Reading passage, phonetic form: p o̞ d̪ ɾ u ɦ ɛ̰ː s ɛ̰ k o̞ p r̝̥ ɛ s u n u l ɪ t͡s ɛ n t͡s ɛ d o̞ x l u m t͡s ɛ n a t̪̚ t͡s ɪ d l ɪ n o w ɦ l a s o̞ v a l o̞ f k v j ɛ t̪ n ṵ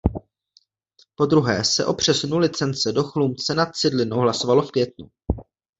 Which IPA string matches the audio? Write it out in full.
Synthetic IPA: p o̞ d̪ ɾ u ɦ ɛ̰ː s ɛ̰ ʔ o̞ p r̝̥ ɛ s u n u l ɪ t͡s ɛ n t͡s ɛ d o̞ x l u m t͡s ɛ n a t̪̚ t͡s ɪ d l ɪ n o w ɦ l a s o̞ v a l o̞ f k v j ɛ t̪ n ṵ

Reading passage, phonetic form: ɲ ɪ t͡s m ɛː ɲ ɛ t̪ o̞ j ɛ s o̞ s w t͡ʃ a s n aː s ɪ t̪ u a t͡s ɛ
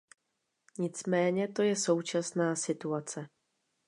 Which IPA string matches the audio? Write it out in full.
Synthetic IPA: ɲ ɪ t͡s m ɛː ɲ ɛ t̪ o̞ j ɛ s o̞ w t͡ʃ a s n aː s ɪ t̪ u a t͡s ɛ

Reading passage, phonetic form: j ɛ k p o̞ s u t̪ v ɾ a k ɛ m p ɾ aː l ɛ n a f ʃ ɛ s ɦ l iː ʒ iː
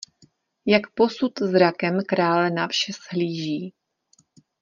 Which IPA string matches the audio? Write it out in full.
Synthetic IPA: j a k p o̞ s u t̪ z ɾ a k ɛ m k ɾ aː l ɛ n a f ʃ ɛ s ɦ l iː ʒ iː

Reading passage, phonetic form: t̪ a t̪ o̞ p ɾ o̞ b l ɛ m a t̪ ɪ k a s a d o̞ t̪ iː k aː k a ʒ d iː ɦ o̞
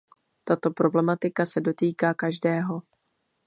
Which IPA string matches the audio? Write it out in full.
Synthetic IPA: t̪ a t̪ o̞ p ɾ o̞ b l ɛ m a t̪ ɪ k a s ɛ d o̞ t̪ iː k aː k a ʒ d ɛː ɦ o̞

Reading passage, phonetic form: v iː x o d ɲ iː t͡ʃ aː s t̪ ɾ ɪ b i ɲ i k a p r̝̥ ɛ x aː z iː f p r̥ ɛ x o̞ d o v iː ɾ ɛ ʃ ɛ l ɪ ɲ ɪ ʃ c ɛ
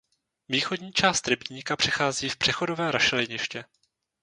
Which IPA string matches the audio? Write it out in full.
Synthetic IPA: v iː x o d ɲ iː t͡ʃ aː s t̪ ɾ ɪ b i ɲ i k a p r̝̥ ɛ x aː z iː f p r̥ ɛ x o̞ d o v ɛː ɾ a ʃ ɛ l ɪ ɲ ɪ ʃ c ɛ

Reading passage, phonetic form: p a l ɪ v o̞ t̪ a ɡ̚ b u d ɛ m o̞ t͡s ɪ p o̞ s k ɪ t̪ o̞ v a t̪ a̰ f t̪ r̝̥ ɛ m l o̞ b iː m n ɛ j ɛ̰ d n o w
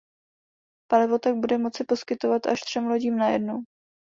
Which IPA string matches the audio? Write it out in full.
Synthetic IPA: p a l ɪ v o̞ t̪ a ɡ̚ b u d ɛ m o̞ t͡s ɪ p o̞ s k ɪ t̪ o̞ v a t̪ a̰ ʃ t̪ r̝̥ ɛ m l o̞ ɟ iː m n a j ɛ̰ d n o w

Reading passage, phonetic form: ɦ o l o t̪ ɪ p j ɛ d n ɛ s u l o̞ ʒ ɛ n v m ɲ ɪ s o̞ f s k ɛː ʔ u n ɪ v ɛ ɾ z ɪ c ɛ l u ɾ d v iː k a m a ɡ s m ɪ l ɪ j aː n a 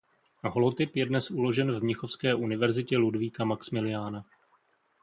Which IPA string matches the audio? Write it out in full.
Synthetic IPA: ɦ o l o t̪ ɪ p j ɛ d n ɛ s u l o̞ ʒ ɛ n v m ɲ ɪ x o̞ f s k ɛː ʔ u n ɪ v ɛ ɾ z ɪ c ɛ l u d v iː k a m a k s m ɪ l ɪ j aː n a

